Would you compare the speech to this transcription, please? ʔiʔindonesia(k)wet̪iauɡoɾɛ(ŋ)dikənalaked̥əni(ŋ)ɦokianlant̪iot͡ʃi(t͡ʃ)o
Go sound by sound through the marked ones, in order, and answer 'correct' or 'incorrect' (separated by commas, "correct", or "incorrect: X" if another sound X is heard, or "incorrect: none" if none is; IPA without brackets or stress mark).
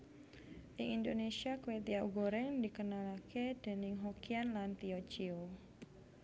correct, correct, correct, incorrect: none